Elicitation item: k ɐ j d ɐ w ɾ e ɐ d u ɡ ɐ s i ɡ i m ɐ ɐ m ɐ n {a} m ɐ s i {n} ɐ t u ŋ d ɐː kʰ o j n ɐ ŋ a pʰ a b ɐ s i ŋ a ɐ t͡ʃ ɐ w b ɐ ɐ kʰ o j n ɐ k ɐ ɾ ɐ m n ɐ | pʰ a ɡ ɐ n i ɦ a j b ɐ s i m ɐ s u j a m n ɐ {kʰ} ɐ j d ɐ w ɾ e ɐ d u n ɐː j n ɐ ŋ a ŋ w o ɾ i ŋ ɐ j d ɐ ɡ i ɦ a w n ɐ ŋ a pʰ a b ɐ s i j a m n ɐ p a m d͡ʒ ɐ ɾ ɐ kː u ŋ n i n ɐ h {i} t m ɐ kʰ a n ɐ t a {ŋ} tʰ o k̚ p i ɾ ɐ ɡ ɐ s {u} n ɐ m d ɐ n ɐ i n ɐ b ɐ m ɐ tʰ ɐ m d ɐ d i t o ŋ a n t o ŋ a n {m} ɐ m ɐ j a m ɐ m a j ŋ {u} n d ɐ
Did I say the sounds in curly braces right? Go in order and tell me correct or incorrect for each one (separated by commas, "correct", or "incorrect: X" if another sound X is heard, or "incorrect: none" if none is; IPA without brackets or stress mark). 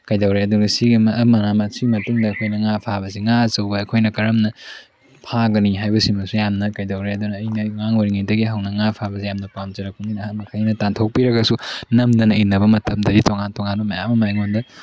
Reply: correct, incorrect: m, incorrect: k, incorrect: a, incorrect: n, correct, incorrect: b, incorrect: o